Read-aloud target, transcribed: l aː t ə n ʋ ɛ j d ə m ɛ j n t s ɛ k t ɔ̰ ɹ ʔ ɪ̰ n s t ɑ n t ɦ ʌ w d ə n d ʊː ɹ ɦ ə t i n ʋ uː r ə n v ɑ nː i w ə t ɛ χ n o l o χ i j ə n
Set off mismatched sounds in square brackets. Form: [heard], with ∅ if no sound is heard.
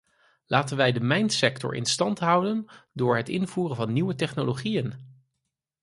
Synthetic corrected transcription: l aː t ə n ʋ ɛ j d ə m ɛ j n t s ɛ k t ɔ̰ ɹ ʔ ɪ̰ n s t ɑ n t ɦ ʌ w d ə n d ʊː ɹ ɦ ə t [ɪ] n [v] uː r ə n v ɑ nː i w ə t ɛ χ n o l o χ i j ə n